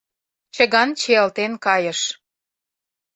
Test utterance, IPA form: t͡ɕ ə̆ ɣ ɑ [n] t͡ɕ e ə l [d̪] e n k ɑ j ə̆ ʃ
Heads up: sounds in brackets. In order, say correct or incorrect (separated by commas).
correct, incorrect